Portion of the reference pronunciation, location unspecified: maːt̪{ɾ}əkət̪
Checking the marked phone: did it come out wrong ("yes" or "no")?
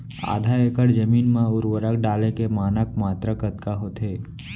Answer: no